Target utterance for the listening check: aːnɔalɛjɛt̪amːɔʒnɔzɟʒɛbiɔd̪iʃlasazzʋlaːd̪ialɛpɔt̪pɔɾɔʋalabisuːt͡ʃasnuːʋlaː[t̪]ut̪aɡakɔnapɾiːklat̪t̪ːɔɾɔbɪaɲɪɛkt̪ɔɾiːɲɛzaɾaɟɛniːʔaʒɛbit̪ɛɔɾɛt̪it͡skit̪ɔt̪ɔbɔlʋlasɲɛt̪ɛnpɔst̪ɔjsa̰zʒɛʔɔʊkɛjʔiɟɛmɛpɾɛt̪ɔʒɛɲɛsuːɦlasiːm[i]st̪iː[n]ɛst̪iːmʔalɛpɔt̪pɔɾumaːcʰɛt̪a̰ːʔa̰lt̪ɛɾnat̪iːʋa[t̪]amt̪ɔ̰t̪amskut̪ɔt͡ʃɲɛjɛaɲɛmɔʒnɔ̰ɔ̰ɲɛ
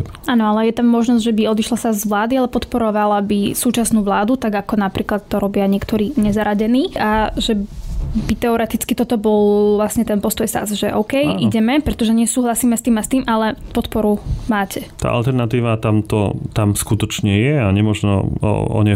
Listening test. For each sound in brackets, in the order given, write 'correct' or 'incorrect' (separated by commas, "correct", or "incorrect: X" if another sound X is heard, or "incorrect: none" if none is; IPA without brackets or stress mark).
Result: incorrect: d̪, incorrect: ɛ, incorrect: m, correct